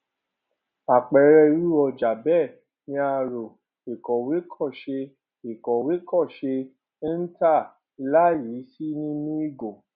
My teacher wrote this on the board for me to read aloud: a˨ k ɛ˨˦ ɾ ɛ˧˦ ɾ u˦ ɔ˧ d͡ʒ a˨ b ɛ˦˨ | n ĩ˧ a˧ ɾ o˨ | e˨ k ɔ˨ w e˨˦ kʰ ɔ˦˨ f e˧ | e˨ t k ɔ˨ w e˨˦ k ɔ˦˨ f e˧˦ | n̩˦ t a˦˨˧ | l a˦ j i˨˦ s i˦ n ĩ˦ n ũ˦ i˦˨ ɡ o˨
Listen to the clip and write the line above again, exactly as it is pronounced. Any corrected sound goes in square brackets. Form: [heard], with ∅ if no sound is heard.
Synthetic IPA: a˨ [k͡p] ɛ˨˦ ɾ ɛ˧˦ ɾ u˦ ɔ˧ d͡ʒ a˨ b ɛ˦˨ | n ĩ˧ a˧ ɾ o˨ | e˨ k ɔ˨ w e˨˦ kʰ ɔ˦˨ [ʃ] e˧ | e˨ [∅] k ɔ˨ w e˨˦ k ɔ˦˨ [ʃ] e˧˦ | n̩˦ t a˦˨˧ | l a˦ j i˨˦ s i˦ n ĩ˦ n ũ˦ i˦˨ ɡ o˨